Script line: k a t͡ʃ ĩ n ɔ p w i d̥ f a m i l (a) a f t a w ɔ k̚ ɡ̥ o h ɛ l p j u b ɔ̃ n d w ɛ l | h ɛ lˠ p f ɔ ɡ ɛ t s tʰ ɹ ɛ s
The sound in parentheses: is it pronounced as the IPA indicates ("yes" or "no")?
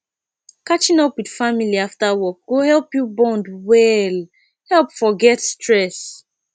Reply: no